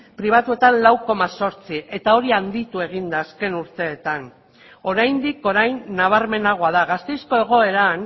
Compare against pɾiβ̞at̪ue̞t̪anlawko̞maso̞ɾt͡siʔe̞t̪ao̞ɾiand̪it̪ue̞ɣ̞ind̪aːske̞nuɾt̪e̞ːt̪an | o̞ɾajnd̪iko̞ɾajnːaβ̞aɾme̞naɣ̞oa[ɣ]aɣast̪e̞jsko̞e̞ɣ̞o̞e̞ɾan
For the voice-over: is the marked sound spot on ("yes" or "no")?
no